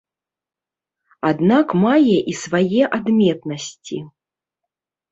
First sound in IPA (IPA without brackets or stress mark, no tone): a